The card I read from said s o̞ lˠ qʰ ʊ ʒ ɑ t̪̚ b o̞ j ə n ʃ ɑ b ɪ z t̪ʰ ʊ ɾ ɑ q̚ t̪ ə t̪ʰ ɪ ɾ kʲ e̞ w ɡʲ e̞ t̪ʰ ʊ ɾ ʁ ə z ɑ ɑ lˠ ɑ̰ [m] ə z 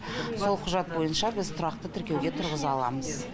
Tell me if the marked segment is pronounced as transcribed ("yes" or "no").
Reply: yes